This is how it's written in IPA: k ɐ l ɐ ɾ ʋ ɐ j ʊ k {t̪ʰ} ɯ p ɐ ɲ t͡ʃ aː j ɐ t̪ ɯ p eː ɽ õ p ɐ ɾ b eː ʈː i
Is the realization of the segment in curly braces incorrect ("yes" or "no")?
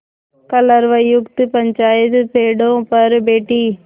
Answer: yes